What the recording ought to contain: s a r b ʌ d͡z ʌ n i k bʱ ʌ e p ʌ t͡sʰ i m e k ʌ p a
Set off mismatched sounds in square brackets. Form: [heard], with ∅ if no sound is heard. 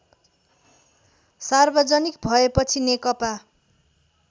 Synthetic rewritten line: s a r b ʌ d͡z ʌ n i k bʱ ʌ e p ʌ t͡sʰ i [n] e k ʌ p a